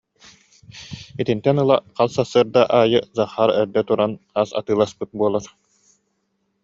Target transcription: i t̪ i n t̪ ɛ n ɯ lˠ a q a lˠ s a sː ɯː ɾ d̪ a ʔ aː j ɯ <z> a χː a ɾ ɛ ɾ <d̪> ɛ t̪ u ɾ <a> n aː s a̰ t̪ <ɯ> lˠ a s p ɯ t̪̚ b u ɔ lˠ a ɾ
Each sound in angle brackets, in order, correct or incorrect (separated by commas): correct, correct, correct, incorrect